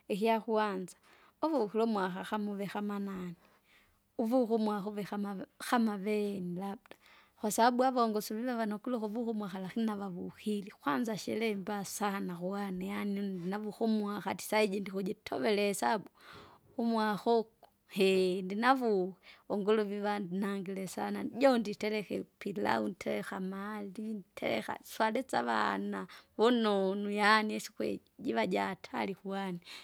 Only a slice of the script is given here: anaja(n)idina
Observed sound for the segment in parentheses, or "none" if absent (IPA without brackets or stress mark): n